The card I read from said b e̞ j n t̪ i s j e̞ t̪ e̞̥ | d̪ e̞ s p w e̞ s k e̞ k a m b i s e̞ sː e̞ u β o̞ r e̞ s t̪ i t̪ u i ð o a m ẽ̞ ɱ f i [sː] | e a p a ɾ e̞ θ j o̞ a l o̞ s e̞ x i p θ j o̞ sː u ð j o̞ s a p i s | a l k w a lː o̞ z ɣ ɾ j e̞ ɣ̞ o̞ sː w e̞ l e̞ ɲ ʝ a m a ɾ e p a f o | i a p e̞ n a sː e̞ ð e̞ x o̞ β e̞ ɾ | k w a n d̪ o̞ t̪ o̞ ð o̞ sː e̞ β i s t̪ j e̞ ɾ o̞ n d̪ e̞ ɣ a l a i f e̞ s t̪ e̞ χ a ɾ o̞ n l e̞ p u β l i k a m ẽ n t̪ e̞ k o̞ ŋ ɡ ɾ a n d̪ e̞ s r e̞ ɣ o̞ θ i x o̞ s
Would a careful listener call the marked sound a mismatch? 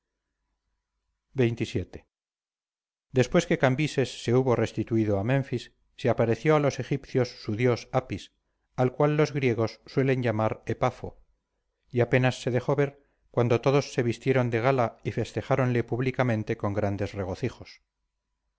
no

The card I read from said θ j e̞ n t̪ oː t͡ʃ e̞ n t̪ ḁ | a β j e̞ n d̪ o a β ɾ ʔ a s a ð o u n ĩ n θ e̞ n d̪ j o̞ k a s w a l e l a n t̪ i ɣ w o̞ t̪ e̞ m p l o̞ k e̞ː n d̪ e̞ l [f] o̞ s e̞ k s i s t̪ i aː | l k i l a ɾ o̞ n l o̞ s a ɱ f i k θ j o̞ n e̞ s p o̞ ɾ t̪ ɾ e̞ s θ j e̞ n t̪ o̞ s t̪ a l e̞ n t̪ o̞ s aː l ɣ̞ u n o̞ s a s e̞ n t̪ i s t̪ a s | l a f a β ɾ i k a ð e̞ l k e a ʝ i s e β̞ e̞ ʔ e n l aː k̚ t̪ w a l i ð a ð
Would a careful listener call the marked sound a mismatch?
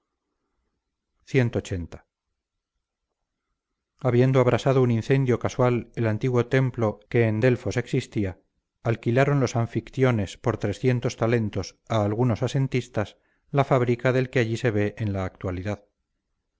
no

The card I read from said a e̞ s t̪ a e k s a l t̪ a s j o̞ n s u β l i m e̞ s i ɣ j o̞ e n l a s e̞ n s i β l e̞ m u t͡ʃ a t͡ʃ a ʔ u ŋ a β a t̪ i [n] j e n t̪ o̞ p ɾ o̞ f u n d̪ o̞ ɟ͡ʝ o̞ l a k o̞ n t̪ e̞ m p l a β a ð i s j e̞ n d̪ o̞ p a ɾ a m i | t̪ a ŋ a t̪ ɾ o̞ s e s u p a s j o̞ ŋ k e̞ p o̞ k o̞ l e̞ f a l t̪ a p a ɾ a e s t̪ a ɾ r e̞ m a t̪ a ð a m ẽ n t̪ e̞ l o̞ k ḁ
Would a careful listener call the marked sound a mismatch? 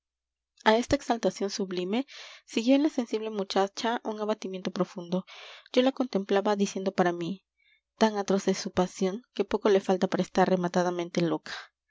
yes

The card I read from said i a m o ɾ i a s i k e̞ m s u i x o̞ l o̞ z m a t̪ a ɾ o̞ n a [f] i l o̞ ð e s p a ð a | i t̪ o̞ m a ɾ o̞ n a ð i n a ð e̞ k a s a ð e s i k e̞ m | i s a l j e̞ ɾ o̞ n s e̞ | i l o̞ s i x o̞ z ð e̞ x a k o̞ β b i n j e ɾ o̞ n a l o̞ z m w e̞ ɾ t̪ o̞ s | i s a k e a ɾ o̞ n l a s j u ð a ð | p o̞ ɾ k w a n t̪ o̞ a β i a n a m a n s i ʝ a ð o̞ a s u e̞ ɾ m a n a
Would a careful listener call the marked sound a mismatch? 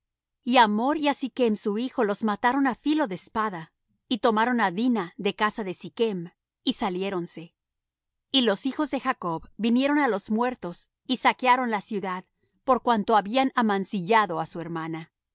no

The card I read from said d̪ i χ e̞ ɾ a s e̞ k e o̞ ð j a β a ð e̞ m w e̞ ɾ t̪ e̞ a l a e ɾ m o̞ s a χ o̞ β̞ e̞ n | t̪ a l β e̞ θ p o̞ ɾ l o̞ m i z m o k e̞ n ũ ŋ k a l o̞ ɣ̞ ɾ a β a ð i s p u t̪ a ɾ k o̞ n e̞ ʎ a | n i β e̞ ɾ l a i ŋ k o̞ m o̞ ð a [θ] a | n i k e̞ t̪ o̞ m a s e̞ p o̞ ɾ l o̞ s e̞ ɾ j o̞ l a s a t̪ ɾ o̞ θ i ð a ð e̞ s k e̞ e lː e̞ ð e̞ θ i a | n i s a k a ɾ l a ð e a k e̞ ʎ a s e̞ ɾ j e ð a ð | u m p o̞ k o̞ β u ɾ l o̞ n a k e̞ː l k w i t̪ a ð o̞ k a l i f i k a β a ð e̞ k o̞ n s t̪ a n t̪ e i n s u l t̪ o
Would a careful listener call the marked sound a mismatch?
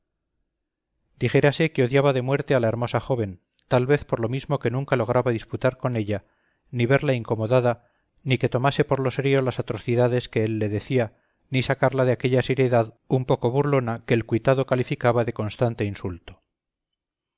yes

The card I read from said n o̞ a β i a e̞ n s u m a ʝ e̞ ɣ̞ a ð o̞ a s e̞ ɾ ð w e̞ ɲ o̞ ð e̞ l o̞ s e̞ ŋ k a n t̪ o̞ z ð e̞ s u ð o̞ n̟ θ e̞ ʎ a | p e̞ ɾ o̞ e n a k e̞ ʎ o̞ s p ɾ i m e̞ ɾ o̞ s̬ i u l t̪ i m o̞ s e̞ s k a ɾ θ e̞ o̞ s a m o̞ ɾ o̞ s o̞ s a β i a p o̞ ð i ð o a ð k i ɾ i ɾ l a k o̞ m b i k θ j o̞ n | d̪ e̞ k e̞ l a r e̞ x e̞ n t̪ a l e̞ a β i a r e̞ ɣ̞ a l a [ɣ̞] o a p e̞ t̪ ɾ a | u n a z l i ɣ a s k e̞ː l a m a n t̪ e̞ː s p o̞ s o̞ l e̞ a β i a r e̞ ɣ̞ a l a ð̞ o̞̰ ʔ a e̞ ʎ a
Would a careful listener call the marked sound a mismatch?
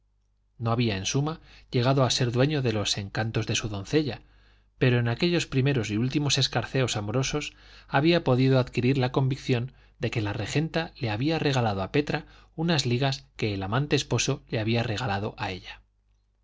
yes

